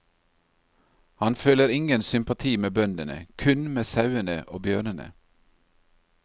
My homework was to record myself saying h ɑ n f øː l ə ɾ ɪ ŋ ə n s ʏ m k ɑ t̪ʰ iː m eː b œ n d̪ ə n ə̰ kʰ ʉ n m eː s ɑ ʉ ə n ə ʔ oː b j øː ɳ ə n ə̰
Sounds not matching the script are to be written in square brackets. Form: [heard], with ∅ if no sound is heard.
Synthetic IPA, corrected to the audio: h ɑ n f øː l ə ɾ ɪ ŋ ə n s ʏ m [p] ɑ t̪ʰ iː m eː b œ n d̪ ə n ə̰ kʰ ʉ n m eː s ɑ ʉ ə n ə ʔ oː b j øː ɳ ə n ə̰